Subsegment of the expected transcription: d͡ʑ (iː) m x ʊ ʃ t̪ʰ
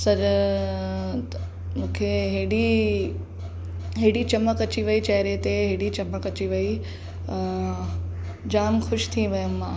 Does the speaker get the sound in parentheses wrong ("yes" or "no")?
yes